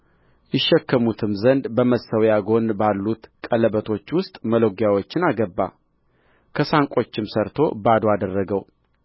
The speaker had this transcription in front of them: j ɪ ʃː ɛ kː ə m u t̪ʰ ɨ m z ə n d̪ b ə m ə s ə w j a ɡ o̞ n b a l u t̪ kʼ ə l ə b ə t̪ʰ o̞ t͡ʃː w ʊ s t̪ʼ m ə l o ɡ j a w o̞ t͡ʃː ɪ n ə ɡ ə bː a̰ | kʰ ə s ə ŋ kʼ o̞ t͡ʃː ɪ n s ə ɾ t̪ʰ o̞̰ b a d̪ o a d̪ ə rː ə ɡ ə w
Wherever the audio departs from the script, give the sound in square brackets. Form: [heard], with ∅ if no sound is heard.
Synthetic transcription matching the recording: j ɪ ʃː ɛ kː ə m u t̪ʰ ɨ m z ə n d̪ b ə m ə s ə w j a ɡ o̞ n b a [lː] u t̪ kʼ ə l ə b ə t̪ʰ o̞ t͡ʃː w ʊ s t̪ʼ m ə l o ɡ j a w o̞ t͡ʃː ɪ n [a] ɡ ə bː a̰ | kʰ ə s [a] ŋ kʼ o̞ t͡ʃː ɪ [m] s ə ɾ t̪ʰ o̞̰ b a d̪ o a d̪ ə rː ə ɡ ə w